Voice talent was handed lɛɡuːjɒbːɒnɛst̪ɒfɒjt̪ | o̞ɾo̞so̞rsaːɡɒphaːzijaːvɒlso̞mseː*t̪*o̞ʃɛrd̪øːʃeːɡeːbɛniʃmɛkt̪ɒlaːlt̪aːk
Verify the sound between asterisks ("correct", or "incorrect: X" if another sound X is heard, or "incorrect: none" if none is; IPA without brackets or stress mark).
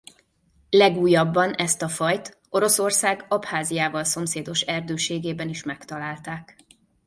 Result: incorrect: d̪